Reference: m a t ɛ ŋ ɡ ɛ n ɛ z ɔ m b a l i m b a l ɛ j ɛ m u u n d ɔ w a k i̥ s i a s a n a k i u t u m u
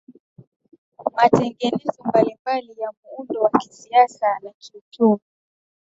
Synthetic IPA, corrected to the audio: m a t ɛ ŋ ɡ ɛ n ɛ z ɔ m b a l i m b a l i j a m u u n d ɔ w a k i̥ s i a s a n a k i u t u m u